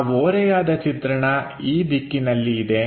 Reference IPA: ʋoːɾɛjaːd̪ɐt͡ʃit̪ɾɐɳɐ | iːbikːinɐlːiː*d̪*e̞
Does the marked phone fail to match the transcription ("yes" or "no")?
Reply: no